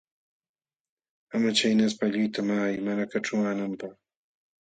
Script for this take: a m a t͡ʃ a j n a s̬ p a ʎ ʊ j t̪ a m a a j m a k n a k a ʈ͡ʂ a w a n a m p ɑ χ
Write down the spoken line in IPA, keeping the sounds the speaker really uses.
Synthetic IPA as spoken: a m a t͡ʃ a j n a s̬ p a ʎ ʊ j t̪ a m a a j m a n a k a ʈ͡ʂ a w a n a m p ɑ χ